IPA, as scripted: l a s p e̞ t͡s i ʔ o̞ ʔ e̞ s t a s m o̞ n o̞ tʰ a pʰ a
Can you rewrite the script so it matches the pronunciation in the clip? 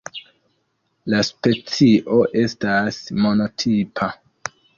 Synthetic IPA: l a s p e̞ t͡s i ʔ o̞ ʔ e̞ s t a s m o̞ n o̞ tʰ i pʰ a

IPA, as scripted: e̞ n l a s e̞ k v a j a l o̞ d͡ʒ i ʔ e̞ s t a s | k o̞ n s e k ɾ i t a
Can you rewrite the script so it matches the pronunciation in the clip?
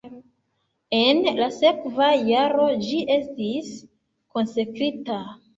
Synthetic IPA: e̞ n l a s e̞ k v a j a ɾ o̞ d͡ʒ i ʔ e̞ s t i s | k o̞ n s e k ɾ i t a

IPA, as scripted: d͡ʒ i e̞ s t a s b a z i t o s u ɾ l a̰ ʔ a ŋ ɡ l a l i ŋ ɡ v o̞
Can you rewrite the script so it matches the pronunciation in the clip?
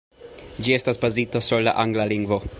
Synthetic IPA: d͡ʒ i e̞ s t a s b a z i t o s u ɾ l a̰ ʔ a ŋ ɡ l a l i ŋ ɡ v o̞

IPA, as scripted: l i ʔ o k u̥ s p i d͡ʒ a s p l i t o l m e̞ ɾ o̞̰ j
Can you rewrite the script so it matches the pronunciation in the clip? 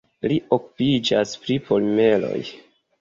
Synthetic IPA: l i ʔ o k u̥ p i d͡ʒ a s p ɾ i p o l m e̞ l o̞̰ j

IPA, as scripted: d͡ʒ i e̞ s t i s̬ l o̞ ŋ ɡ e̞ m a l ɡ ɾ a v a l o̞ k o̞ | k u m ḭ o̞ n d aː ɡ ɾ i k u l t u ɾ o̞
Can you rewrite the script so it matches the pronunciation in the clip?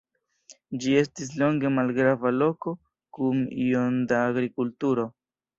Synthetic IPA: d͡ʒ i e̞ s t i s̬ l o̞ ŋ ɡ e̞ m a l ɡ ɾ a v a l o̞ k o̞ | k u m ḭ o̞ n d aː ɡ ɾ i k u l t u ɾ o̞

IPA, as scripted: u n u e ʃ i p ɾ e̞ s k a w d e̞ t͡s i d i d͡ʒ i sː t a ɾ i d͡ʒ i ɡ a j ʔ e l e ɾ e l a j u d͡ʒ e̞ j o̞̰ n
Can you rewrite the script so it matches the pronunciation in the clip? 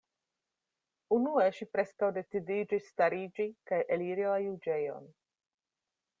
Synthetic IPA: u n u e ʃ i p ɾ e̞ s k a w d e̞ t͡s i d i d͡ʒ i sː t a ɾ i d͡ʒ i k a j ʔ e l i ɾ i l a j u d͡ʒ e̞ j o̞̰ n

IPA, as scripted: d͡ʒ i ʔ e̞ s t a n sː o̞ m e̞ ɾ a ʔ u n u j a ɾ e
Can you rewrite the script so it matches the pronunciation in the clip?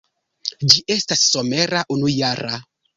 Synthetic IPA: d͡ʒ i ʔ e̞ s t a sː o̞ m e̞ ɾ a ʔ u n u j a ɾ a

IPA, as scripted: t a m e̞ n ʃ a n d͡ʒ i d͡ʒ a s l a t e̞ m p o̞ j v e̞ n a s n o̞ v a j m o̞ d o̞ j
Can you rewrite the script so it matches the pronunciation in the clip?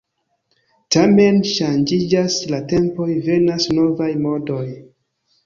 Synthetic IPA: t a m e̞ n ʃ a n d͡ʒ i d͡ʒ a s l a t e̞ m p o̞ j v e̞ n a s n o̞ v a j m o̞ d o̞ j

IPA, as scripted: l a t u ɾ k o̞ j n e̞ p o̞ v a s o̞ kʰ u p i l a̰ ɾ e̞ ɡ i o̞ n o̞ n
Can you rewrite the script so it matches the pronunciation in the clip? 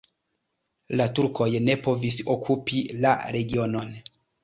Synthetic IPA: l a t u ɾ k o̞ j n e̞ p o̞ v i s o̞ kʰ u p i l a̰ ɾ e̞ ɡ i o̞ n o̞ n

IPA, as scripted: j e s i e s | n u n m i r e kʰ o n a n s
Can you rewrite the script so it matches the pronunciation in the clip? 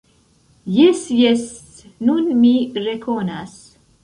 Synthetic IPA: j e s j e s | n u n m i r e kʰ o n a s

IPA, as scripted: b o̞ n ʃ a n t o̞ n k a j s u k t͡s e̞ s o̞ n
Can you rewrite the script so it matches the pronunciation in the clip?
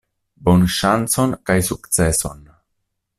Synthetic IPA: b o̞ n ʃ a n t͡s o̞ n k a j s u k t͡s e̞ s o̞ n

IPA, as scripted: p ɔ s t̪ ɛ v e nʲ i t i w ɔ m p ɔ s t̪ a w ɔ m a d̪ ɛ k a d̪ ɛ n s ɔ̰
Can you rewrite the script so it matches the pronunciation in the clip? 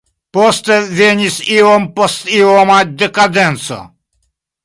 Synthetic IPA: p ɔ s t̪ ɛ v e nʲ i s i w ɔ m p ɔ s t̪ i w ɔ m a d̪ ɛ k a d̪ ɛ n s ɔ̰

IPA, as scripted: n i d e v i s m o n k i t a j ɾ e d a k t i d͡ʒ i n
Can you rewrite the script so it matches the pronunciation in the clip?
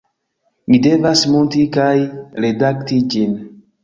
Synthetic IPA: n i d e v a s m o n t i k a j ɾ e d a k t i d͡ʒ i n

